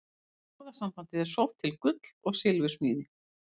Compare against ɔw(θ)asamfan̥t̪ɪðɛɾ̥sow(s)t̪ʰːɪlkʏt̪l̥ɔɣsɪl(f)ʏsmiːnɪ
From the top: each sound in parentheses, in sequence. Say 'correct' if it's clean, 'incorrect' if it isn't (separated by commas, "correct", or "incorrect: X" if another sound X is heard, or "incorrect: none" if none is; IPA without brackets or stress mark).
incorrect: ð, incorrect: h, incorrect: v